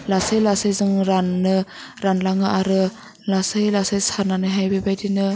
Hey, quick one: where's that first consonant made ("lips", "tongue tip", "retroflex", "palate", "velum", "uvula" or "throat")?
tongue tip